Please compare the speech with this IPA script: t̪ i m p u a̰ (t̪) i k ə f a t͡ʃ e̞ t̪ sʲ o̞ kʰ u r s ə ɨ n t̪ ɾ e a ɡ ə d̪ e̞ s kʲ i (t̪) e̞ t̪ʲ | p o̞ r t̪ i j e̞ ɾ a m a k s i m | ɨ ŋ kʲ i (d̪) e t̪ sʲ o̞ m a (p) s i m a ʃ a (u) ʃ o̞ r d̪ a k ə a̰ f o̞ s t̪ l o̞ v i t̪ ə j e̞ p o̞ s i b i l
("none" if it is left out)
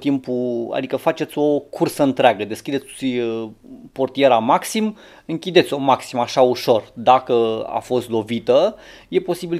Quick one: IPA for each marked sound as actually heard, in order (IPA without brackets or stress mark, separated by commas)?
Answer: d̪, d̪, d̪, k, u